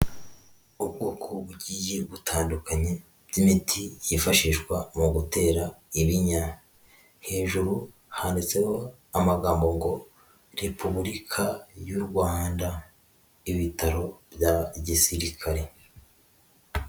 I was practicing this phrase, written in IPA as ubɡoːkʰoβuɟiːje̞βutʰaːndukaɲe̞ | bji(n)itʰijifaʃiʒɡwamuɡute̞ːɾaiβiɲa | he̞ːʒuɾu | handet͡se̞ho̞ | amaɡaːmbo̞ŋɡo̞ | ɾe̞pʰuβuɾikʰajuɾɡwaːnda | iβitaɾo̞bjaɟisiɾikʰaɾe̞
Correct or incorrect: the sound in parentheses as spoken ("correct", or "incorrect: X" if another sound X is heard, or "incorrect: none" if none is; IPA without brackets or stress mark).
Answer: incorrect: m